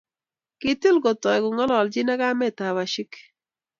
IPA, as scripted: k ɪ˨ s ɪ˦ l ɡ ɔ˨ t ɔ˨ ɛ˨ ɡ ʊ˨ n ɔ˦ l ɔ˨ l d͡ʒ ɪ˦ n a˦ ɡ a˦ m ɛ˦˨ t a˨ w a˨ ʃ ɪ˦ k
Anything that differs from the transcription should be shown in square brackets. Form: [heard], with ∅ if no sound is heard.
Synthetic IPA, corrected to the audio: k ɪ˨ [t] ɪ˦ l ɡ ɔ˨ t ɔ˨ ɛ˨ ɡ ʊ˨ [ŋ] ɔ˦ l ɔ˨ l d͡ʒ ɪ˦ n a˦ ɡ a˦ m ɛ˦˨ t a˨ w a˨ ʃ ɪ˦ k